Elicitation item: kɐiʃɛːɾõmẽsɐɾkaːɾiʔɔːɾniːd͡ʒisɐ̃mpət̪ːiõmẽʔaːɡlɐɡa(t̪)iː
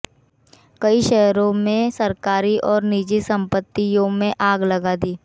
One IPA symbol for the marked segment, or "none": d̪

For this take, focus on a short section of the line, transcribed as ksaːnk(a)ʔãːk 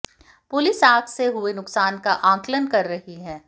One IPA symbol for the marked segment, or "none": a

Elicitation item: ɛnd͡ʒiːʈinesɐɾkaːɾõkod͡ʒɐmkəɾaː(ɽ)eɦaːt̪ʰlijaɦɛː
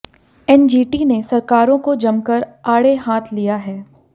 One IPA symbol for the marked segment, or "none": ɽ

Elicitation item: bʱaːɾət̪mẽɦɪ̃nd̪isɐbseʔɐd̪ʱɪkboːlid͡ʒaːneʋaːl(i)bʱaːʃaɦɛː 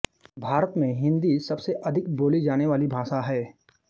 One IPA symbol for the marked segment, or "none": i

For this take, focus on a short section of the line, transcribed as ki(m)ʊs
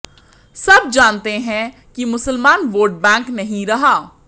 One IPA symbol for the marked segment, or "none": m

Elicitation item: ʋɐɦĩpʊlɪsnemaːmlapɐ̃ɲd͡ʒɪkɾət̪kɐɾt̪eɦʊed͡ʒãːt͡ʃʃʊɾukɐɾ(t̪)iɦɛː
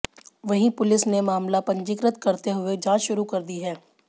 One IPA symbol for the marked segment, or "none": d̪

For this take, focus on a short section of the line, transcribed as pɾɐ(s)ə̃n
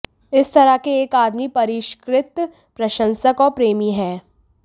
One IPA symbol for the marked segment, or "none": ʃ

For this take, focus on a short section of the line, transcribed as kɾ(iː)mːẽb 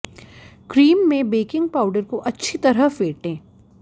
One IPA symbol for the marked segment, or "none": iː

